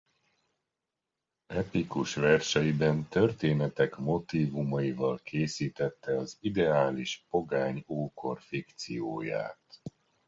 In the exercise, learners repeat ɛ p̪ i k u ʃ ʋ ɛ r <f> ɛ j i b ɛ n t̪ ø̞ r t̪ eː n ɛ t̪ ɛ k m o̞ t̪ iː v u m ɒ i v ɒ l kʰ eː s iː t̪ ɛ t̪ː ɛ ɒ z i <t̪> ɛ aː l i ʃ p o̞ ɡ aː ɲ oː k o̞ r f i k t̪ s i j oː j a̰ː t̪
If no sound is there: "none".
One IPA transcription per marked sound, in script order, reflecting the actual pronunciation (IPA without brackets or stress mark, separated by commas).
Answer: ʃ, d̪